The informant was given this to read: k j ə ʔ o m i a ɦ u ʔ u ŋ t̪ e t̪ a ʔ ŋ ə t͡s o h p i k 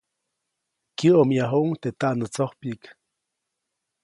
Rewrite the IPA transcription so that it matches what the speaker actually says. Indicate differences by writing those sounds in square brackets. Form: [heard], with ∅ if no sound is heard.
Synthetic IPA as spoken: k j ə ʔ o m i a ɦ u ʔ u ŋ t̪ e t̪ a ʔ [n] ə t͡s o h p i k

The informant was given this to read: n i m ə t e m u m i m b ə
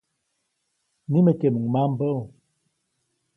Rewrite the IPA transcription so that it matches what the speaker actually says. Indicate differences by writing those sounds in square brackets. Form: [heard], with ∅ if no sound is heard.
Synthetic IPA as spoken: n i m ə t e m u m [a] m b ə

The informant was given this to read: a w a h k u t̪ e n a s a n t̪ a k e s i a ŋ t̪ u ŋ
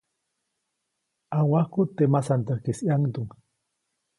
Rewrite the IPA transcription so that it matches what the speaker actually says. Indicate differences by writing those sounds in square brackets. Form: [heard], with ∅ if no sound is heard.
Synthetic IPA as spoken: a w a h k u t̪ e [m] a s a n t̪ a k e s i a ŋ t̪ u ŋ

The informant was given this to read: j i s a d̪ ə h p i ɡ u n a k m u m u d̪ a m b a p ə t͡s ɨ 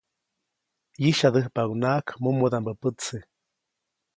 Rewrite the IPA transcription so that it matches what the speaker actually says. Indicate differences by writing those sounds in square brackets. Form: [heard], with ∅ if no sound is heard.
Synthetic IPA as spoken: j i [ʃ] a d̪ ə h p [a] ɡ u n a k m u m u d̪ a m b [ə] p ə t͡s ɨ

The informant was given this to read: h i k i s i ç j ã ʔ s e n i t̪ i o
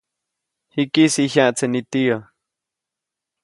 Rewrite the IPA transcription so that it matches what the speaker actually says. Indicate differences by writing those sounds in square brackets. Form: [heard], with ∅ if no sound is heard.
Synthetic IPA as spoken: h i k i s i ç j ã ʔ [t͡s] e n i t̪ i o

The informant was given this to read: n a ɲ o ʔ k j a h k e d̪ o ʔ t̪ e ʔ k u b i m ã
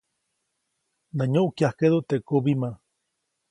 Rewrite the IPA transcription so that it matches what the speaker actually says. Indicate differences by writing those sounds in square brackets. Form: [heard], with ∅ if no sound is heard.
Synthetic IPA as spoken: n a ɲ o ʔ k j a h k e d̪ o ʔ t̪ e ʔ k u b i m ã

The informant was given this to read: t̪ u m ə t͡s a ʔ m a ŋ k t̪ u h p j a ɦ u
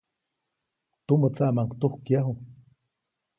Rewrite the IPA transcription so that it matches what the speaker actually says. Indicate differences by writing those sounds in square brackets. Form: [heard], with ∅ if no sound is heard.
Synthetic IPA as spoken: t̪ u m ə t͡s a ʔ m a ŋ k t̪ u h [k] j a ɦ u

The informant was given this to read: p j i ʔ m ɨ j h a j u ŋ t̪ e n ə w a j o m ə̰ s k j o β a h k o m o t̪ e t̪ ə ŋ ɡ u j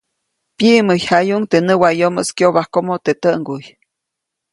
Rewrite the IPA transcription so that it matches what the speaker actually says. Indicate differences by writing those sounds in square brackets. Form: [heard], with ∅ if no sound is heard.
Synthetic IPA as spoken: p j i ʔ m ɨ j h a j u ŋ t̪ e n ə w a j o m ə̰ s k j o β a h k o m o t̪ e t̪ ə ŋ ɡ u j

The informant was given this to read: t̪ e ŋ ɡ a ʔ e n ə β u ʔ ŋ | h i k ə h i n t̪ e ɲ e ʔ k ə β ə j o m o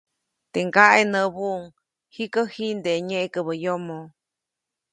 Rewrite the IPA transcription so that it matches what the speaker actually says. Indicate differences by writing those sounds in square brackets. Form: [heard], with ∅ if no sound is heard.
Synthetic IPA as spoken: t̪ e ŋ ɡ a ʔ e n ə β u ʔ ŋ | h i k ə h i n [d̪] e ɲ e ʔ k ə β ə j o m o

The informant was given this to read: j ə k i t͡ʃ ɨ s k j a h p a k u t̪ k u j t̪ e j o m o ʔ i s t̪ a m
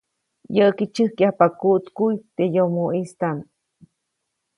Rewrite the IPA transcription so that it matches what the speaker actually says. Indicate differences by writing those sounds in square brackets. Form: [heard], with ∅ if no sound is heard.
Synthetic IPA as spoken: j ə k i t͡ʃ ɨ [h] k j a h p a k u t̪ k u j t̪ e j o m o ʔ i s t̪ a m

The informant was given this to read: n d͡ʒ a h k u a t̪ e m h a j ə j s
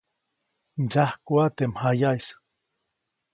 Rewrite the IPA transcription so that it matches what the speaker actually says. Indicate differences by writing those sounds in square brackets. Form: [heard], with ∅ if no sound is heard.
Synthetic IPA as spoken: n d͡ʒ a h k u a t̪ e m h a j [a] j s

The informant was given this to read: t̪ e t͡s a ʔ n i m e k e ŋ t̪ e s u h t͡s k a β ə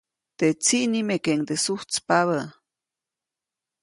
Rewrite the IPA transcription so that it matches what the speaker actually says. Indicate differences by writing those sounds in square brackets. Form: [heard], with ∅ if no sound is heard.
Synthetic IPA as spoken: t̪ e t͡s [i] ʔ n i m e k e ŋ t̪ e s u h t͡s [p] a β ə

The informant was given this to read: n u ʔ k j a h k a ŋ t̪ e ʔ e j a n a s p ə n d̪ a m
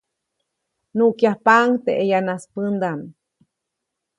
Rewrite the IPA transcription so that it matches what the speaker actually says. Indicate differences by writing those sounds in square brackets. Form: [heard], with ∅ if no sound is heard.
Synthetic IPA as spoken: n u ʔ k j a h [p] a ŋ t̪ e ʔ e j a n a s p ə n d̪ a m

